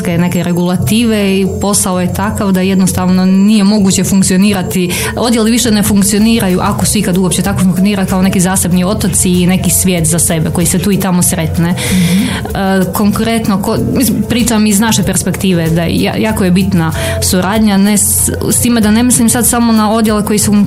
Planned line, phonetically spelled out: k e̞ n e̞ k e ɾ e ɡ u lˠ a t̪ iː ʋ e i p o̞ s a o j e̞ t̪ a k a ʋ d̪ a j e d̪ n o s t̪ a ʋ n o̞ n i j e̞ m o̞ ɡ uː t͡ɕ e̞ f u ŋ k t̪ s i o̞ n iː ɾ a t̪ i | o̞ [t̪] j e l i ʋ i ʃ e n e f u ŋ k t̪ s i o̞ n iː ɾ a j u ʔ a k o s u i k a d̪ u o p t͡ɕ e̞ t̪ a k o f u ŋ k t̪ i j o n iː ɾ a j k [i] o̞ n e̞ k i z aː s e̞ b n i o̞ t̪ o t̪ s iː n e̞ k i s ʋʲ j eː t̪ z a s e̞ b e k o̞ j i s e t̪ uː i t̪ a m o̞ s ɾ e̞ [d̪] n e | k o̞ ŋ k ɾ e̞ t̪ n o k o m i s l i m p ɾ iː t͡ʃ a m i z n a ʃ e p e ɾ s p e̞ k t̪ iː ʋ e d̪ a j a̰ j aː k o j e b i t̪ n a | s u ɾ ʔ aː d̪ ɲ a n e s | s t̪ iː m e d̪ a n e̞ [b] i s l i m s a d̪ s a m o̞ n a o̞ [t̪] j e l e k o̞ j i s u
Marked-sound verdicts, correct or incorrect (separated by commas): incorrect, incorrect, incorrect, incorrect, incorrect